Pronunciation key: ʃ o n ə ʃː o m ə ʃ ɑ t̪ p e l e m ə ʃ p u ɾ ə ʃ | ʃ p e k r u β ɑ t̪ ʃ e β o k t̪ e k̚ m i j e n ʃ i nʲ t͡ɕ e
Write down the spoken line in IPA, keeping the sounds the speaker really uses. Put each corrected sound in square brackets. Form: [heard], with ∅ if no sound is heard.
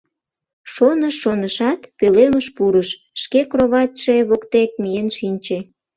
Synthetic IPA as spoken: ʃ o n ə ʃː o [n] ə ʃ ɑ t̪ p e l e m ə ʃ p u ɾ ə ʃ | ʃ [k] e k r [o] β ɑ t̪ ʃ e β o k t̪ e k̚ m i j e n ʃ i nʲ t͡ɕ e